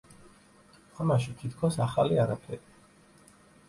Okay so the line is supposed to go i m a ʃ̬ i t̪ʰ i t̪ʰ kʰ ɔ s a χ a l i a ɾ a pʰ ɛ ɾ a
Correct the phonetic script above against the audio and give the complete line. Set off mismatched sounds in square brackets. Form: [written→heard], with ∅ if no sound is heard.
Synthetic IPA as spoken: [i→a] m a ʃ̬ i t̪ʰ i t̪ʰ kʰ ɔ s a χ a l i a ɾ a pʰ ɛ ɾ [a→i]

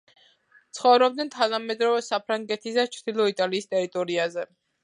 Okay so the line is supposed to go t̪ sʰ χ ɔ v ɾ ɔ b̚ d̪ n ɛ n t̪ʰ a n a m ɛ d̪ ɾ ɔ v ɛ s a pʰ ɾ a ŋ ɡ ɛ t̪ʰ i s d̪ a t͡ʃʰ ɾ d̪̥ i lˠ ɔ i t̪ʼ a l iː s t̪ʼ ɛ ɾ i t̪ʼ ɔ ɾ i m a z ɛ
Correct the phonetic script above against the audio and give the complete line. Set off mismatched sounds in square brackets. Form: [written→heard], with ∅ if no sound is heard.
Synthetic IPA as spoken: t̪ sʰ χ ɔ v ɾ ɔ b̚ d̪ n ɛ n t̪ʰ a n a m ɛ d̪ ɾ ɔ v ɛ s a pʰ ɾ a ŋ ɡ ɛ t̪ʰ i s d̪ a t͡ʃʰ ɾ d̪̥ i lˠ ɔ i t̪ʼ a l iː s t̪ʼ ɛ ɾ i t̪ʼ ɔ ɾ i [m→∅] a z ɛ

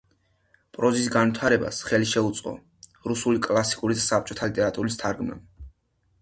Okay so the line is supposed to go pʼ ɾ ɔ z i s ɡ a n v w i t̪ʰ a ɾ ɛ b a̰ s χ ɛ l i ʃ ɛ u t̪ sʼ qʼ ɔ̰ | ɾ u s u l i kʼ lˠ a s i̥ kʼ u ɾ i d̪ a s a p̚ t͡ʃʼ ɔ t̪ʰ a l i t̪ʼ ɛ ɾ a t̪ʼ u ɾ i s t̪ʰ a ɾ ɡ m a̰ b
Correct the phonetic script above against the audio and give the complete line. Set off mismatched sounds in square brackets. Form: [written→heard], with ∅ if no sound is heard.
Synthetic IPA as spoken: pʼ ɾ ɔ z i s ɡ a n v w i t̪ʰ a ɾ ɛ b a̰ s χ ɛ l i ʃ ɛ u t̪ sʼ qʼ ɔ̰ | ɾ u s u l i kʼ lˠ a s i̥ kʼ u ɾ i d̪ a s a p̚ t͡ʃʼ ɔ t̪ʰ a l i t̪ʼ ɛ ɾ a t̪ʼ u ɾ i s t̪ʰ a ɾ ɡ m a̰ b

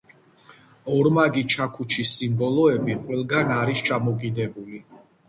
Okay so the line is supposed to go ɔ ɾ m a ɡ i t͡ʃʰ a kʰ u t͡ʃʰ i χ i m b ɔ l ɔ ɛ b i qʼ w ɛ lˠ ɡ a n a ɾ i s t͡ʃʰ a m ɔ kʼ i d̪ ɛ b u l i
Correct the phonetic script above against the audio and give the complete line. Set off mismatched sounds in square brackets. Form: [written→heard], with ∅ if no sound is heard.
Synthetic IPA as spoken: ɔ ɾ m a ɡ i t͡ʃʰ a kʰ u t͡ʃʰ i [χ→s] i m b ɔ l ɔ ɛ b i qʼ w ɛ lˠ ɡ a n a ɾ i s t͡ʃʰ a m ɔ kʼ i d̪ ɛ b u l i

